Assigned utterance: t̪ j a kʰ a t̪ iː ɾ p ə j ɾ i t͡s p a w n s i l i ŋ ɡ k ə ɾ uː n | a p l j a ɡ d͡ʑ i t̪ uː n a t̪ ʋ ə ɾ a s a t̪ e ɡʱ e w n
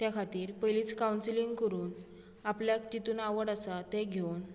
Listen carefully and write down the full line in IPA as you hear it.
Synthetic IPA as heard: t̪ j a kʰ a t̪ iː ɾ p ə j l i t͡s k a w n s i l i ŋ ɡ k ə ɾ uː n | a p l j a k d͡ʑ i t̪ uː n a ʋ ə ɽ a s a t̪ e ɡʱ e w n